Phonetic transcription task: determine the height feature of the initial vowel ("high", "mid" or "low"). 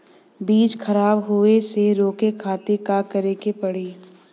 high